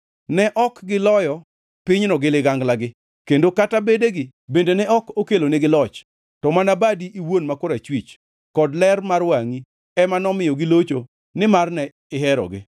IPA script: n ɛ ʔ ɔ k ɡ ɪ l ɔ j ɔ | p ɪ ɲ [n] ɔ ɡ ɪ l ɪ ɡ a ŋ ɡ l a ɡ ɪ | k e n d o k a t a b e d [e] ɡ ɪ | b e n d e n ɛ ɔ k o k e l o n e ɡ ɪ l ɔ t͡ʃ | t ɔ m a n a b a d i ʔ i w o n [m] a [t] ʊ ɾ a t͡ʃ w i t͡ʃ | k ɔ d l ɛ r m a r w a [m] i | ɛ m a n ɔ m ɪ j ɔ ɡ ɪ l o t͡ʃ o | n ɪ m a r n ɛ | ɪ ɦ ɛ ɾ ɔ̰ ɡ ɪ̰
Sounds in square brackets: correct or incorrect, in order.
correct, correct, correct, incorrect: k, incorrect: ŋ

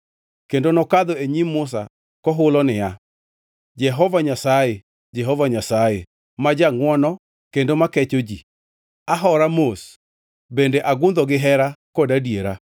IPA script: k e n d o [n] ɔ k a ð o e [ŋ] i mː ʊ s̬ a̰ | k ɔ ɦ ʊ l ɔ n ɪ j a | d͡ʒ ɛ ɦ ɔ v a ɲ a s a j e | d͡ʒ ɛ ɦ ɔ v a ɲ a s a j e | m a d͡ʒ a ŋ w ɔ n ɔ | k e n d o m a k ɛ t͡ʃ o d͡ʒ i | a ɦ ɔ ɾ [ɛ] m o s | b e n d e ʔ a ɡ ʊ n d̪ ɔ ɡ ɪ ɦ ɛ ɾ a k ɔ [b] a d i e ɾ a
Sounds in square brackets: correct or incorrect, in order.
correct, incorrect: ɲ, incorrect: a, incorrect: d

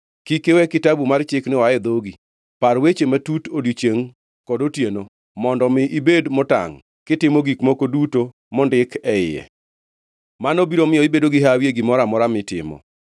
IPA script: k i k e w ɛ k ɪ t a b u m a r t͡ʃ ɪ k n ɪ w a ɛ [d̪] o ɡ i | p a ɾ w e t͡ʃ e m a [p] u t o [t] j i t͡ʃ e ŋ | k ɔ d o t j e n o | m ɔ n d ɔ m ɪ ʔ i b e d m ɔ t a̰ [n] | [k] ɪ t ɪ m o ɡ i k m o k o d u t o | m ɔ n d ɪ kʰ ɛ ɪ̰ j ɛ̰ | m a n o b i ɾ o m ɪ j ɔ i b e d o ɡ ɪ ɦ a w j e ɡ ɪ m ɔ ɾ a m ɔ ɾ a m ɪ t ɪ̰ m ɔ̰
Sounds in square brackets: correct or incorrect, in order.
correct, incorrect: t, incorrect: d, incorrect: ŋ, correct

